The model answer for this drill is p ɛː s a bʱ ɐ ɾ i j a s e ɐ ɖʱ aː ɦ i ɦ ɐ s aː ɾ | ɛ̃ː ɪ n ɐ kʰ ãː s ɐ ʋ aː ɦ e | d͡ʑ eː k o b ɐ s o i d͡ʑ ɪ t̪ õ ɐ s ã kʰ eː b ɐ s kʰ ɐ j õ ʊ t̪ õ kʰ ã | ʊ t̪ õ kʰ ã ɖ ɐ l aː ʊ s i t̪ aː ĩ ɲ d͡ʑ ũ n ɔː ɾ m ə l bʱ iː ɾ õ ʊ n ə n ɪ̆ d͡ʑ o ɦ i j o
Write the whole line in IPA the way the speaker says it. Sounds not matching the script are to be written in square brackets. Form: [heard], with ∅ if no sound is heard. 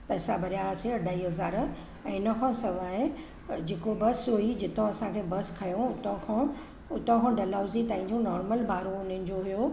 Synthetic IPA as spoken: p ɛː s a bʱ ɐ ɾ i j a s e ɐ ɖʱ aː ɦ i ɦ ɐ [z] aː ɾ | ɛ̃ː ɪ n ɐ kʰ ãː s ɐ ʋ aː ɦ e | d͡ʑ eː k o b ɐ s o i d͡ʑ ɪ t̪ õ ɐ s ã kʰ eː b ɐ s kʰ ɐ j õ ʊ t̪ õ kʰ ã | ʊ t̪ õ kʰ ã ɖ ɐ l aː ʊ [z] i t̪ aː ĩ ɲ d͡ʑ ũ n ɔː ɾ m ə l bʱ [aː] ɾ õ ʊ n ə n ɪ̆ d͡ʑ o ɦ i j o

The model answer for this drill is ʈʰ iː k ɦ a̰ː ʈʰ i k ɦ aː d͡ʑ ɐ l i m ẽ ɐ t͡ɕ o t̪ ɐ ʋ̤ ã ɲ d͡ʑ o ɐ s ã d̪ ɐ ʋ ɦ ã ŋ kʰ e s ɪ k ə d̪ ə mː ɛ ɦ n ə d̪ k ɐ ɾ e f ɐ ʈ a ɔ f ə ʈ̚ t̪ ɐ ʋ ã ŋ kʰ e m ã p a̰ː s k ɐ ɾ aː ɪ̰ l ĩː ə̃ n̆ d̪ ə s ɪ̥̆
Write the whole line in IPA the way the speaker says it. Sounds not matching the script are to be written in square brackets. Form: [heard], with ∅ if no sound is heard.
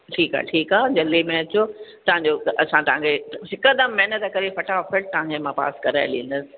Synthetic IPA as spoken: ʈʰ iː k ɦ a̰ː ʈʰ [iː] k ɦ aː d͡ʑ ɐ l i m ẽ ɐ t͡ɕ o t̪ ɐ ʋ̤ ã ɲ d͡ʑ o ɐ s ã [t̪] ɐ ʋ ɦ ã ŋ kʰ e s ɪ k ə d̪ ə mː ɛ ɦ n ə [t̪] k ɐ ɾ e f ɐ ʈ a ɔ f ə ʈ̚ t̪ ɐ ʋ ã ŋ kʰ e m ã p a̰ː s k ɐ ɾ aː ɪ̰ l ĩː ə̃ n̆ d̪ ə s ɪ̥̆

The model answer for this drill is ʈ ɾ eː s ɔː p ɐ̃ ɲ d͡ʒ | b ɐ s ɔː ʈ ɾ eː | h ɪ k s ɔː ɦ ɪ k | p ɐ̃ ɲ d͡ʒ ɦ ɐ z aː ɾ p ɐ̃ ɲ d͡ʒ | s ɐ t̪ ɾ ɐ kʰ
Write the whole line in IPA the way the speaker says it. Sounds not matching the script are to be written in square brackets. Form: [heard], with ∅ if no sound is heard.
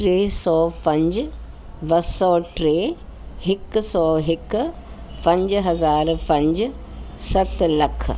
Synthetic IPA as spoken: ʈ ɾ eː s ɔː p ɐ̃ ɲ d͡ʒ | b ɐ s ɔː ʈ ɾ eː | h ɪ k s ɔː ɦ ɪ k | p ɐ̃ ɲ d͡ʒ ɦ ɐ z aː ɾ p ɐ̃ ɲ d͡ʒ | s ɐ t̪ [l] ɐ kʰ

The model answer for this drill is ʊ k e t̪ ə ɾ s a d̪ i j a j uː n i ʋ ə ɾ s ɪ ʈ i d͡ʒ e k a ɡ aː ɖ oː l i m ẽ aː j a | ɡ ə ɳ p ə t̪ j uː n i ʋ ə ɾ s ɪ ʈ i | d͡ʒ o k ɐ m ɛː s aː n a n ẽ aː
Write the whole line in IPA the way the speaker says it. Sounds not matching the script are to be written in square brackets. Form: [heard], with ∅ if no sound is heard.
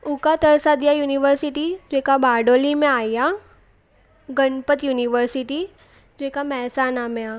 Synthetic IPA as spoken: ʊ k [a] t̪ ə ɾ s a d̪ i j a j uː n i ʋ ə ɾ s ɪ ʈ i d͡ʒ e k a [b] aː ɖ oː l i m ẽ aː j a | ɡ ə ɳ p ə t̪ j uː n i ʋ ə ɾ s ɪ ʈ i | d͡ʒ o k [a] m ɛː s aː n a [m] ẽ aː

